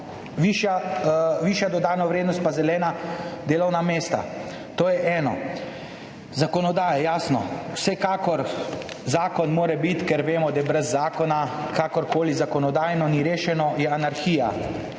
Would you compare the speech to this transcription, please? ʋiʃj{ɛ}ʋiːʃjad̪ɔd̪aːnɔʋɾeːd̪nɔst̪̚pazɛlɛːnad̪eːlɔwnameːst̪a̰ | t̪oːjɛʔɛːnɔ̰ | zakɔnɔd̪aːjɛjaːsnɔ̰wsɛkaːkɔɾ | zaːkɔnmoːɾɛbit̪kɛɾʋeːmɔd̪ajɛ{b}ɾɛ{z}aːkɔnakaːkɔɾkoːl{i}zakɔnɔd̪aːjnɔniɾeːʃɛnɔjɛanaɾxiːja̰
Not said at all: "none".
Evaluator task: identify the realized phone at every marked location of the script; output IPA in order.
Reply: a, b, zː, i

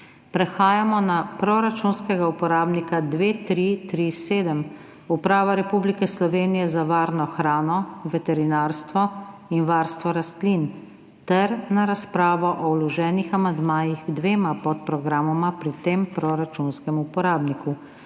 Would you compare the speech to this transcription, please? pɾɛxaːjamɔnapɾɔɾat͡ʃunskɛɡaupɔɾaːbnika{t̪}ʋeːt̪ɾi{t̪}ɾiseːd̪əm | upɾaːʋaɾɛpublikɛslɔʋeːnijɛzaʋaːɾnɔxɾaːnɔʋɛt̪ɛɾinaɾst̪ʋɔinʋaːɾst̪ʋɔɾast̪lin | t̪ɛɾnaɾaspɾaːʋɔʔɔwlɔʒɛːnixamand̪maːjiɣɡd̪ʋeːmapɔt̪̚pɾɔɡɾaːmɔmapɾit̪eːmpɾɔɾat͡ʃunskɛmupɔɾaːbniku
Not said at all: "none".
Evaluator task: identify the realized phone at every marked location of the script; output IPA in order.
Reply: d̪, t̪

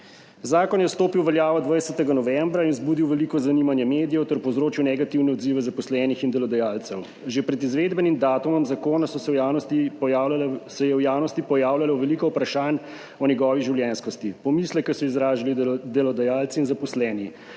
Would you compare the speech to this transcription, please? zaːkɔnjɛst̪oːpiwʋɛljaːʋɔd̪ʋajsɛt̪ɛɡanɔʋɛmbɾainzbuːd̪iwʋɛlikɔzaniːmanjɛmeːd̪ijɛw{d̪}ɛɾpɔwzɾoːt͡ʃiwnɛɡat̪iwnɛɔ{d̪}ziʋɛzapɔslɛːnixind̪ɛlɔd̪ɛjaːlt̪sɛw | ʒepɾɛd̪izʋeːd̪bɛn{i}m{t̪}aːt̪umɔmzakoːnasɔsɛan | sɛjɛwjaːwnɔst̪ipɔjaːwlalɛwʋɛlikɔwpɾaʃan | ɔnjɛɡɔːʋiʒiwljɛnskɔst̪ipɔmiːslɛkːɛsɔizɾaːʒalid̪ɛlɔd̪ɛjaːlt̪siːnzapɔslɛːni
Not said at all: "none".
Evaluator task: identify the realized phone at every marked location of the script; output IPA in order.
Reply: t̪, d̪, i, d̪

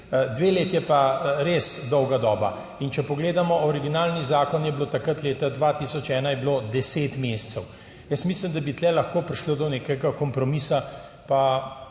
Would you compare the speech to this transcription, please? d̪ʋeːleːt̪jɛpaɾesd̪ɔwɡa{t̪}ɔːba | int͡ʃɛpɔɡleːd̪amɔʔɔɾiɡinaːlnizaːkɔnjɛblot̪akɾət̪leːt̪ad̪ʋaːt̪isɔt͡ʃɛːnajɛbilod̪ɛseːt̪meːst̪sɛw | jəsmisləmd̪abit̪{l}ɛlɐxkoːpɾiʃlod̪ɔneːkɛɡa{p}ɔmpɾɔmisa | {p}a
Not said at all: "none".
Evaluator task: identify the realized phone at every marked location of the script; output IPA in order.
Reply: d̪, l, k, p

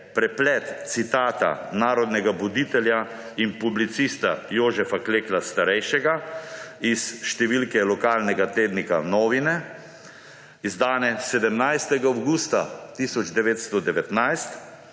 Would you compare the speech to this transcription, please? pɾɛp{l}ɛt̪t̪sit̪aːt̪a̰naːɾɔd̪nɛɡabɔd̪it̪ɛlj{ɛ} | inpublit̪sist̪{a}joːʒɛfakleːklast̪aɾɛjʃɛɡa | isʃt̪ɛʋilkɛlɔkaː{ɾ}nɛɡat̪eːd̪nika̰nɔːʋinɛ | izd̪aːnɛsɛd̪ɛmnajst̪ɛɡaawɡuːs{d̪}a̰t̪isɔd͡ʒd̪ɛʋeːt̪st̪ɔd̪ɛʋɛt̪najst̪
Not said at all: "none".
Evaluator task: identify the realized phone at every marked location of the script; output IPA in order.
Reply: l, a, a, l, t̪

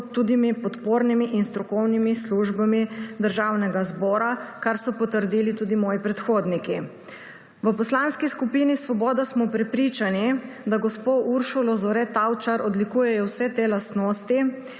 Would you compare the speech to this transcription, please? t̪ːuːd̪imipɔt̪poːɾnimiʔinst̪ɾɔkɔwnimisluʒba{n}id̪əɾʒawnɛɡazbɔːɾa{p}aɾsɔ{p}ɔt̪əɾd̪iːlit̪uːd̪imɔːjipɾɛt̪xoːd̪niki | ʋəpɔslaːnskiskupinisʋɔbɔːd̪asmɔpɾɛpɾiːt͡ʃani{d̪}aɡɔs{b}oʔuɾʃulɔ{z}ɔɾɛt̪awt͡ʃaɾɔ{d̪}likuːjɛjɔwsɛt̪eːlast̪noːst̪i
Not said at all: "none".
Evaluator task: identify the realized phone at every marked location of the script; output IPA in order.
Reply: m, k, p, d̪, p, z, d̪

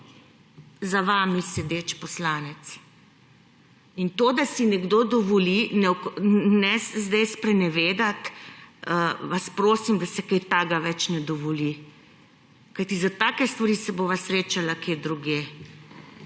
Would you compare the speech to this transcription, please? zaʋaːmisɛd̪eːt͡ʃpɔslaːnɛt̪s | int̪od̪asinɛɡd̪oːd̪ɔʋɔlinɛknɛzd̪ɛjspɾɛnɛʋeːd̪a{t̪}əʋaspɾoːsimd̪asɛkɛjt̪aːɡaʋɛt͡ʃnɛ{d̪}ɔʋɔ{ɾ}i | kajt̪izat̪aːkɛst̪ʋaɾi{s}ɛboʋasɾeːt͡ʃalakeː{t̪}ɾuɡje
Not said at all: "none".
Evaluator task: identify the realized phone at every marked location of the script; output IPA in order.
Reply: t̪, d̪, l, s, d̪

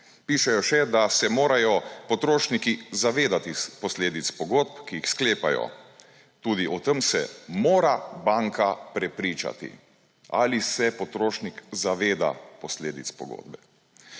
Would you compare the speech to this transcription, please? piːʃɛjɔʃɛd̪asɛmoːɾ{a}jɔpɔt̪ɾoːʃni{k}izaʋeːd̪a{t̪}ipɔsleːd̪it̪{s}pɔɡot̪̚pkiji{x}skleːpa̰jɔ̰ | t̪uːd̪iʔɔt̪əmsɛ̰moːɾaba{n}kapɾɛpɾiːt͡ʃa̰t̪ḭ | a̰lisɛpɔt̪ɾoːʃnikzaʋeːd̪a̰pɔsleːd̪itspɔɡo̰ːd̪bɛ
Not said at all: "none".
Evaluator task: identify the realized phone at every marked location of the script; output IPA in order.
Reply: a, k, t̪, s, x, ŋ

